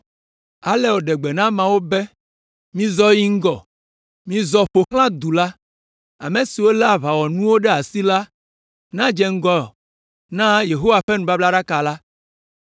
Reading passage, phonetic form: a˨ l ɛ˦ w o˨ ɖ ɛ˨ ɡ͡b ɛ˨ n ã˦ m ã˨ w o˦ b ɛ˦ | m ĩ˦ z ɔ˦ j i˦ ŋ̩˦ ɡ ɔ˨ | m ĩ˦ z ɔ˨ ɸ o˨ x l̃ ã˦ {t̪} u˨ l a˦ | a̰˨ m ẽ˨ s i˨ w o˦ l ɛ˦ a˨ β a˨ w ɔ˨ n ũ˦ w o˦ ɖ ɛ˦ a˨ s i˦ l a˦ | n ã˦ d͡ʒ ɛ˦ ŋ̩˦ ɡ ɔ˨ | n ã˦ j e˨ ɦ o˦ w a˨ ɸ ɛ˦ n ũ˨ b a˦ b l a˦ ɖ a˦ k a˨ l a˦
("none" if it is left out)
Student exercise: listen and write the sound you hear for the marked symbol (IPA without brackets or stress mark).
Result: d̪